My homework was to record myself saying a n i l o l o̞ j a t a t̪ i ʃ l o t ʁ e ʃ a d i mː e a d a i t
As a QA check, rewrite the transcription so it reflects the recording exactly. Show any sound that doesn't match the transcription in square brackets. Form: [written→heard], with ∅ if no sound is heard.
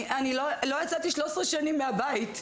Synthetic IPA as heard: a n i l o l o̞ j a [t→t͡s] a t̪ i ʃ l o [t→s] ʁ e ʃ a [d→n] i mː e a [d→b] a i t